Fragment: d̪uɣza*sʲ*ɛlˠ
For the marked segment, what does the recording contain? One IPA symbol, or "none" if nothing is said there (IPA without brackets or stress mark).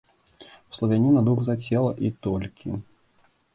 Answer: t͡sʲ